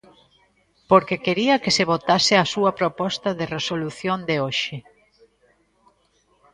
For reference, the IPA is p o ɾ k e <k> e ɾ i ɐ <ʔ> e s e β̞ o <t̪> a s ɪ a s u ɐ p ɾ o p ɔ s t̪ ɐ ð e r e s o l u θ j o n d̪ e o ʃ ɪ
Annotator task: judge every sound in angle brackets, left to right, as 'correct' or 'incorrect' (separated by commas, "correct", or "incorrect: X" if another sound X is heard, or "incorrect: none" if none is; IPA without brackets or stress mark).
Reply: correct, incorrect: k, correct